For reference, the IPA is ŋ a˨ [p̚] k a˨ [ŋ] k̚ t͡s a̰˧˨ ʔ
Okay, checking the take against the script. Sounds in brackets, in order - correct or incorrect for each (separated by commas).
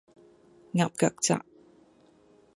correct, incorrect